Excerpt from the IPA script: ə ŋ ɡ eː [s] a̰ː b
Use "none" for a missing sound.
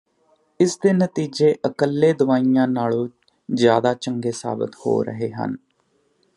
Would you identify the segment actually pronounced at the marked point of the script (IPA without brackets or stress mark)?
s